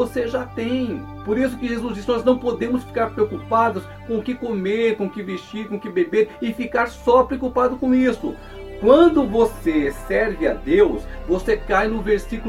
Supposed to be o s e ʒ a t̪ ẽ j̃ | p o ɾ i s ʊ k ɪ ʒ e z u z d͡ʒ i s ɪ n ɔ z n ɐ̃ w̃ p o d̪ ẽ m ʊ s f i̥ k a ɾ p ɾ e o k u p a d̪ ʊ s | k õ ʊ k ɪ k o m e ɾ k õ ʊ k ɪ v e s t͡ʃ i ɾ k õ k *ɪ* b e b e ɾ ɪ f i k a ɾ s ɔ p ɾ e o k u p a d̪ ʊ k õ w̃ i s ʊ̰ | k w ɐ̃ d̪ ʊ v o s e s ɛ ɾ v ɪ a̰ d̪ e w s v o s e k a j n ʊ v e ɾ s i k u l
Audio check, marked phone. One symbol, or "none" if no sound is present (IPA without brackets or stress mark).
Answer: ɪ